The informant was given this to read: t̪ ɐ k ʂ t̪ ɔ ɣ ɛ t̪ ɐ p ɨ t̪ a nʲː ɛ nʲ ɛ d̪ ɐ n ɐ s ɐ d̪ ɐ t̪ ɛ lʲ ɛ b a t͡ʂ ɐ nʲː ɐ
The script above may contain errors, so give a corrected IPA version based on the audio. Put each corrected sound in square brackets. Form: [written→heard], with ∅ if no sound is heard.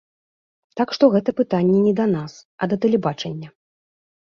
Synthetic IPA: t̪ [ɐ→a] k ʂ t̪ ɔ ɣ ɛ t̪ ɐ p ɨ t̪ a nʲː ɛ nʲ ɛ d̪ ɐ n [ɐ→a] s ɐ d̪ ɐ t̪ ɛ lʲ ɛ b a t͡ʂ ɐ nʲː ɐ